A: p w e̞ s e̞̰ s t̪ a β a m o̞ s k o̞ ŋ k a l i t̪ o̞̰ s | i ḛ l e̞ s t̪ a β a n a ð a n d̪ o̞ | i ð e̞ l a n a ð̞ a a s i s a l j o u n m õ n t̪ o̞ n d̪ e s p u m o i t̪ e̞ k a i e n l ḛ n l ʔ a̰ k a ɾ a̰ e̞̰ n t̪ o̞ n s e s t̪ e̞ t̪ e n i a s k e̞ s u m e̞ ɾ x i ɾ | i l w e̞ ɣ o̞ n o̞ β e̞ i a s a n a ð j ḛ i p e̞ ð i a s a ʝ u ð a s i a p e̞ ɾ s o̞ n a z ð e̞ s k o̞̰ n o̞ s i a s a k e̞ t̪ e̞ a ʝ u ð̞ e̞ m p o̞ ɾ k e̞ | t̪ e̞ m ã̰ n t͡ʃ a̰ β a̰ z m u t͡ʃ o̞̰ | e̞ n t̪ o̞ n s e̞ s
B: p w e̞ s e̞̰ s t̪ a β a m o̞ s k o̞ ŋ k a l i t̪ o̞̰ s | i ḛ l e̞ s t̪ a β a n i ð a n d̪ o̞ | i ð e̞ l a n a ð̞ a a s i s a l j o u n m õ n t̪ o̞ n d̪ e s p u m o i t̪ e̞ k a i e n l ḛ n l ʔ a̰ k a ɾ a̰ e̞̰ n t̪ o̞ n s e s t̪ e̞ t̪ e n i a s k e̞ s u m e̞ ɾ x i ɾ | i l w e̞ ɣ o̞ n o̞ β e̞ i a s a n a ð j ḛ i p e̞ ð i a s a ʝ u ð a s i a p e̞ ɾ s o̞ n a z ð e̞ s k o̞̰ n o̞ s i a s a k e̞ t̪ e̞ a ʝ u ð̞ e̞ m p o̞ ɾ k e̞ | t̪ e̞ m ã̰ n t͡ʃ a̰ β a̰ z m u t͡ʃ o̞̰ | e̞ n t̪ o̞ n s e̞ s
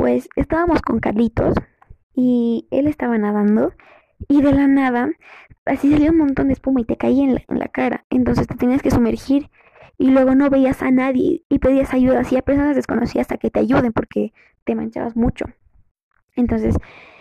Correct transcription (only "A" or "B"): A